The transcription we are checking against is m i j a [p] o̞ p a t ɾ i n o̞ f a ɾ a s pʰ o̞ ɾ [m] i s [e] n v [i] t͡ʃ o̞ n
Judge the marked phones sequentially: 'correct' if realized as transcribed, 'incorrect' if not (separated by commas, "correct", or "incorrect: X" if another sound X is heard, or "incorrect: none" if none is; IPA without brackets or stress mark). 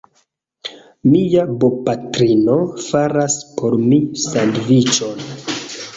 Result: incorrect: b, correct, incorrect: a, correct